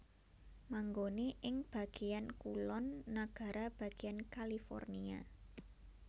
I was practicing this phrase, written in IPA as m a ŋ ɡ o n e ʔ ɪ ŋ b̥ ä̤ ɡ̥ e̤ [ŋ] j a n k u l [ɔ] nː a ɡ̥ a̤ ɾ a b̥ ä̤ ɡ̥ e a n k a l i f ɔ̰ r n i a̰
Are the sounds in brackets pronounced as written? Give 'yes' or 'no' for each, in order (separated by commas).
no, yes